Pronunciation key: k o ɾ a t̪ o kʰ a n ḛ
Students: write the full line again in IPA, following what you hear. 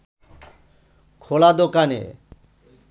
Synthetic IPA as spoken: kʰ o l a d̪ o k a n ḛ